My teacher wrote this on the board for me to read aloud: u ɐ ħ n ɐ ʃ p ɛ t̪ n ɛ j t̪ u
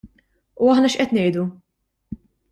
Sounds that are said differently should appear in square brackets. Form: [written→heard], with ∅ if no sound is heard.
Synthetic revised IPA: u ɐ ħ n ɐ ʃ [p→ʔ] ɛ t̪ n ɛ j [t̪→d̪] u